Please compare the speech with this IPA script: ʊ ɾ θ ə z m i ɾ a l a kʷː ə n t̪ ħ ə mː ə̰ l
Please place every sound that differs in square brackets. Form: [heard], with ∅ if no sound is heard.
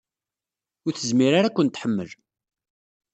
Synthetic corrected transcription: ʊ ɾ θ ə z m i ɾ a [ɾ] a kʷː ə n t̪ ħ ə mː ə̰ l